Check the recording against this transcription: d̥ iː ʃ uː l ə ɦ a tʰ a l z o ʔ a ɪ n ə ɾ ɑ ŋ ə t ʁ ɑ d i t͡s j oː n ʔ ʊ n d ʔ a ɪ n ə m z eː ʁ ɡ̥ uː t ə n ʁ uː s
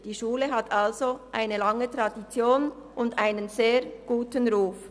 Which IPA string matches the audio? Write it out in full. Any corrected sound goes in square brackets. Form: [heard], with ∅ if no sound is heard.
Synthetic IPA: d̥ iː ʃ uː l ə ɦ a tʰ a l z o ʔ a ɪ n ə [l] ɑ ŋ ə t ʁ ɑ d i t͡s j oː n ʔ ʊ n d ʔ a ɪ n ə [n] z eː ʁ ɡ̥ uː t ə n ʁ uː [f]